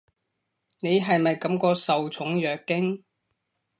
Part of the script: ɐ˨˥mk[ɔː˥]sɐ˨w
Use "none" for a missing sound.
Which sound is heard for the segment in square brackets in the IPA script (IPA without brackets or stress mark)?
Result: ɔː˧